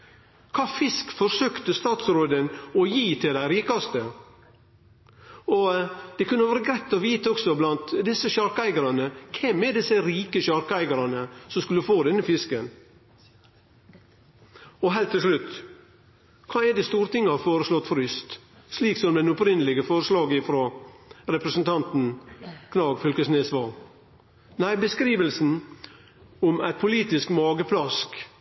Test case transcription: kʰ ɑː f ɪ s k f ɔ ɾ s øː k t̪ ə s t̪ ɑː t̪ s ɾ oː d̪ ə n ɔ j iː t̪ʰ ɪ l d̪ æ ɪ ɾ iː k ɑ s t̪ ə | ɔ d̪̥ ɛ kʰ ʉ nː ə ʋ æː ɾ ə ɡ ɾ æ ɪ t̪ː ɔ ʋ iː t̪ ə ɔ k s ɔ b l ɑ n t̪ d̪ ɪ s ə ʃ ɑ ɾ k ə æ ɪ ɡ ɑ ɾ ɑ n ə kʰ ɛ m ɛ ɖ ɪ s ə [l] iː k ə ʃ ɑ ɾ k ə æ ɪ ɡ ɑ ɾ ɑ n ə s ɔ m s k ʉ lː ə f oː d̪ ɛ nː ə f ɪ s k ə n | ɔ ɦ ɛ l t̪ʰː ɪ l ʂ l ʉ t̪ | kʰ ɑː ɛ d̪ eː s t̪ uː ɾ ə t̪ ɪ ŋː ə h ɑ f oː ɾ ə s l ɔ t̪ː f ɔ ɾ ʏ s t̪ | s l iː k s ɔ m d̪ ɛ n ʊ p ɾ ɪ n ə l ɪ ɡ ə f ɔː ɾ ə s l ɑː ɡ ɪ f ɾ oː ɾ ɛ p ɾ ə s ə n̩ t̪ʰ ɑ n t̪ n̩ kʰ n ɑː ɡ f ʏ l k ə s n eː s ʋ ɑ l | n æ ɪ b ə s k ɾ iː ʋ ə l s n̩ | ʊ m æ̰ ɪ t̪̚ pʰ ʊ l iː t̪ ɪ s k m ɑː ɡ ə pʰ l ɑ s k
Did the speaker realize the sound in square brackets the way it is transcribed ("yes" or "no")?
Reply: no